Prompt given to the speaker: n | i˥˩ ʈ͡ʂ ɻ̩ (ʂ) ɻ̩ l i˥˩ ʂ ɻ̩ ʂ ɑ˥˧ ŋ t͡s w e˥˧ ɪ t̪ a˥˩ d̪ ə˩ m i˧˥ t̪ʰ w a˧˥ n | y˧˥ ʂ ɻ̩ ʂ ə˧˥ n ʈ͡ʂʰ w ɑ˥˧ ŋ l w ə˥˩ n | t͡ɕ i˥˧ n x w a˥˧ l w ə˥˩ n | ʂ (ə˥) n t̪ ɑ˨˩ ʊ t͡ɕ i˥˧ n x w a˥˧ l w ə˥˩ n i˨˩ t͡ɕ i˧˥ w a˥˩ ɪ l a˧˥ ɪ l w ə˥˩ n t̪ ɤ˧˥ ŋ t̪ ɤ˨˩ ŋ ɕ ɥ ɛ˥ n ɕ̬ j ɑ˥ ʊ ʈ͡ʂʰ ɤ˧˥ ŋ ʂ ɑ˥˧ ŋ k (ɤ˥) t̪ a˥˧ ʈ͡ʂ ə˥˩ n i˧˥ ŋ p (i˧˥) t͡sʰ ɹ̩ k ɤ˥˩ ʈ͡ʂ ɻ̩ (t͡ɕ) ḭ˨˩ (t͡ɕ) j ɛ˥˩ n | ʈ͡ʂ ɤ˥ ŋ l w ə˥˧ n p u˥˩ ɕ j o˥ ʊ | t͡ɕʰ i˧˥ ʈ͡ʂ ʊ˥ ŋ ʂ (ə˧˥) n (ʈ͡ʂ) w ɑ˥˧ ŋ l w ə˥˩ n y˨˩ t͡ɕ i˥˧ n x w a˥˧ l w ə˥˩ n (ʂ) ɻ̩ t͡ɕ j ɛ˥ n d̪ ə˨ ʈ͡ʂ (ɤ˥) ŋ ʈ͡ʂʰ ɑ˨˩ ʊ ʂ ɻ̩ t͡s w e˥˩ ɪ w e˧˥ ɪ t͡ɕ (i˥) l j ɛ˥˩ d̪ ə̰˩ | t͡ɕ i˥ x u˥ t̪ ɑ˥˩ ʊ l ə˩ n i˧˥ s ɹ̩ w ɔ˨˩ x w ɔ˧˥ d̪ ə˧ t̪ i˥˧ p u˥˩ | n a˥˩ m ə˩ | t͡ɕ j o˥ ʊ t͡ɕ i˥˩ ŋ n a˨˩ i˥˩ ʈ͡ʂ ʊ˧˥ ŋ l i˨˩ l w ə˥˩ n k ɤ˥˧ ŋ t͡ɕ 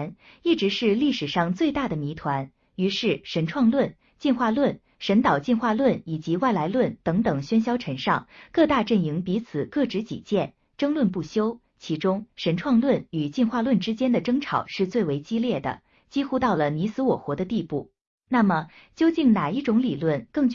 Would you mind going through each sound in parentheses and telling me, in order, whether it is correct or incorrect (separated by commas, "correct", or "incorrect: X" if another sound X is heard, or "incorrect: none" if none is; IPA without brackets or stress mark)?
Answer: correct, incorrect: ə˧˥, incorrect: ɤ˥˧, correct, correct, correct, correct, incorrect: ʈ͡ʂʰ, incorrect: ʈ͡ʂ, correct, correct